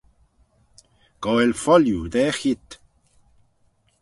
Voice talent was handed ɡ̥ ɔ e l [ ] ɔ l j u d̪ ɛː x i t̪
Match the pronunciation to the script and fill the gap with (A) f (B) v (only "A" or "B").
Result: A